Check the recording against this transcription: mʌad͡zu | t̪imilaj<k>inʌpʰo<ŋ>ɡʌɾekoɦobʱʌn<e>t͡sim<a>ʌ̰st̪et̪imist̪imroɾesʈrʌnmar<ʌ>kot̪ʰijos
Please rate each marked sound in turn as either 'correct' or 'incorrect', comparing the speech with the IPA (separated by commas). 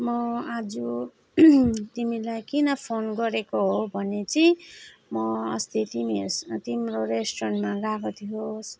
correct, incorrect, correct, incorrect, incorrect